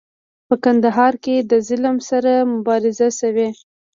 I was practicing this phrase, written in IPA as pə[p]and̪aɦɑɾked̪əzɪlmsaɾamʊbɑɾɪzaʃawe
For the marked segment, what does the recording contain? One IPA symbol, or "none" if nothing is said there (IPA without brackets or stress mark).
k